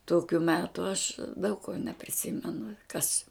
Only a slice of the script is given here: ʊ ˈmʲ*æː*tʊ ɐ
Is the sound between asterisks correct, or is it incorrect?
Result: correct